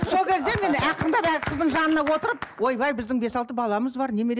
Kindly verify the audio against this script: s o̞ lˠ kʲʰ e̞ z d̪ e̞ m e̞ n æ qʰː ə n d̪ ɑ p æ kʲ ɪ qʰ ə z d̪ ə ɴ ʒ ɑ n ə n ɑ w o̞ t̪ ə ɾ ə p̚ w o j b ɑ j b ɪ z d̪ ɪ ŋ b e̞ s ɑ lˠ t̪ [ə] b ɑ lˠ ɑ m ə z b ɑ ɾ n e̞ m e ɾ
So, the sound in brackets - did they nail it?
yes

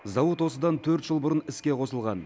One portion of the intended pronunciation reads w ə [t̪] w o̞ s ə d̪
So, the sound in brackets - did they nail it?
yes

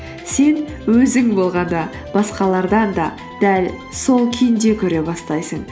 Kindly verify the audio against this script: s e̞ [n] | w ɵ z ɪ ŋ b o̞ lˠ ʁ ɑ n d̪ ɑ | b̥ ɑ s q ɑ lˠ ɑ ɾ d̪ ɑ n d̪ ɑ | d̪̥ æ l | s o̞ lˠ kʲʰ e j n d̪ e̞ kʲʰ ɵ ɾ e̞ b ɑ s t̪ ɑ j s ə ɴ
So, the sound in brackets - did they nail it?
yes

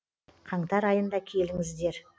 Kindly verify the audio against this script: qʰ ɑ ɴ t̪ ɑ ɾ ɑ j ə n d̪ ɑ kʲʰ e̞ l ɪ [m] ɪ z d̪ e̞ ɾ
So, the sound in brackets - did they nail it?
no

